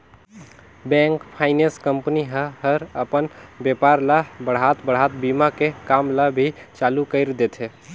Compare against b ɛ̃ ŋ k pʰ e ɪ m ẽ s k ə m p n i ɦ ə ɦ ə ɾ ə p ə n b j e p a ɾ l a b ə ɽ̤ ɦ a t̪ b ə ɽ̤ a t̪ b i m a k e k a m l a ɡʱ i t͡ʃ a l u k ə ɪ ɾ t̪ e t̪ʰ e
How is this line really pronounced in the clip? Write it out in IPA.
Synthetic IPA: b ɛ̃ ŋ k pʰ a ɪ n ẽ s k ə m p n i ɦ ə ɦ ə ɾ ə p ə n b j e p a ɾ l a b ə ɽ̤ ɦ a t̪ b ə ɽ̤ a t̪ b i m a k e k a m l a bʱ i t͡ʃ a l u k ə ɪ ɾ d̪ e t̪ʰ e